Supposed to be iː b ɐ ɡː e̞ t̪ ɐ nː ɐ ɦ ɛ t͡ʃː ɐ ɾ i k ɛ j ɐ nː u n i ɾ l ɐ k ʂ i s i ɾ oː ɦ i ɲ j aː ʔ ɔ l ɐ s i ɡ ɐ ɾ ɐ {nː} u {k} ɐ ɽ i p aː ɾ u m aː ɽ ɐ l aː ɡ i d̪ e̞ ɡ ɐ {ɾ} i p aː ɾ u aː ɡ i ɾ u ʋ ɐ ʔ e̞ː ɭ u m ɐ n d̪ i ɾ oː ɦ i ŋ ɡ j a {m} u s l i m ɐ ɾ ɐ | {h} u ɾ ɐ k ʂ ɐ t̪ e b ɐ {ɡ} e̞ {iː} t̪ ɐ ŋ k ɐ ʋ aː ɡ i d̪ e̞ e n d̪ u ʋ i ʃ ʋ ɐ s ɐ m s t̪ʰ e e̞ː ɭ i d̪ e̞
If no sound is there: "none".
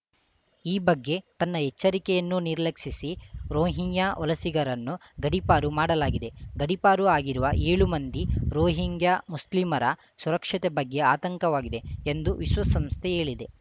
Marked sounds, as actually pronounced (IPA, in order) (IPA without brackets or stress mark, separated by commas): nː, ɡ, ɽ, m, s, ɡː, aː